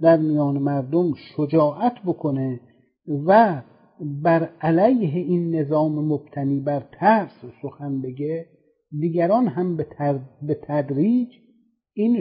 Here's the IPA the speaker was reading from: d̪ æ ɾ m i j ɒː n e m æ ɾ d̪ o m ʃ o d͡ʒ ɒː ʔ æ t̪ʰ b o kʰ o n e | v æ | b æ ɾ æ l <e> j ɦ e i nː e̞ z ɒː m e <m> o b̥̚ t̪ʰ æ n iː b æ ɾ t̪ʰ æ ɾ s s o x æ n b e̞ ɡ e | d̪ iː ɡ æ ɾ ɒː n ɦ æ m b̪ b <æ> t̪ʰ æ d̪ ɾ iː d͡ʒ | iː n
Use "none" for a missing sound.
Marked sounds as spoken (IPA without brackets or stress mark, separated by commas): æ, m, e